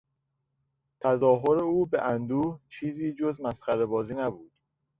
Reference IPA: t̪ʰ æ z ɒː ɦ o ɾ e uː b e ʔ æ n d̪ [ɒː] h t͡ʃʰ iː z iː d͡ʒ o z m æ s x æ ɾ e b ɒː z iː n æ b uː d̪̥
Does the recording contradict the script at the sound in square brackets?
yes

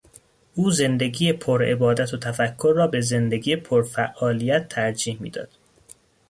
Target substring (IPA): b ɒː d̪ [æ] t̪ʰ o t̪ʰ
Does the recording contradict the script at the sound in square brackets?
no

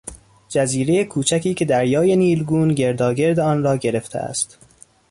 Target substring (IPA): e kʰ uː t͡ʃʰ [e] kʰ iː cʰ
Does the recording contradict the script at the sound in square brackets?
yes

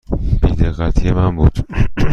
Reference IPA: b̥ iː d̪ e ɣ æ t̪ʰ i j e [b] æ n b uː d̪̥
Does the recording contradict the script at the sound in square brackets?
yes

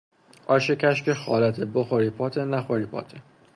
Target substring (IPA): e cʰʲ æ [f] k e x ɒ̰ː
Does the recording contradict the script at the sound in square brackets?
yes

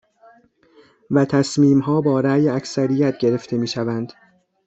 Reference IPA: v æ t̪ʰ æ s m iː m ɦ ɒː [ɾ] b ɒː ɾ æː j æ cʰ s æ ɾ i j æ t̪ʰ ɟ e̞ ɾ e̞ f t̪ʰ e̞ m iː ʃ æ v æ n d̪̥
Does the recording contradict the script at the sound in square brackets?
yes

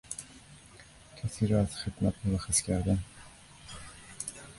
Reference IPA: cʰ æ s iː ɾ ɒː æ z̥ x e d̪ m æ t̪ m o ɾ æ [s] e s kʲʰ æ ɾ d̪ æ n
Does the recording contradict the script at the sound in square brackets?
yes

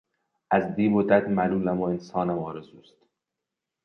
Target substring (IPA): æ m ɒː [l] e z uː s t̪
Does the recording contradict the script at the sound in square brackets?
yes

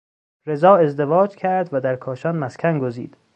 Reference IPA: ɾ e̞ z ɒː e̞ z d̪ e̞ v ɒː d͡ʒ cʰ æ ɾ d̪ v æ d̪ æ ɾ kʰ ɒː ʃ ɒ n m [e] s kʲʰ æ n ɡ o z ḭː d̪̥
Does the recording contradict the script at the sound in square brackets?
yes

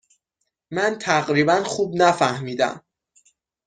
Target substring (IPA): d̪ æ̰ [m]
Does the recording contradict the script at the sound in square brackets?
no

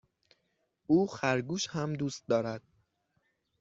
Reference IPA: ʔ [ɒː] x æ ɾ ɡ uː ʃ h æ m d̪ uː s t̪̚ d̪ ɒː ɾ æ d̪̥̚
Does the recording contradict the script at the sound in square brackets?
yes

